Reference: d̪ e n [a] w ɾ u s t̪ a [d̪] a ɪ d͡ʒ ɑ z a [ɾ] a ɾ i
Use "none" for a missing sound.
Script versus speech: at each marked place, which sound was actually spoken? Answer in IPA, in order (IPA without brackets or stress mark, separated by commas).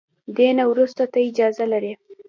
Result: a, t̪, l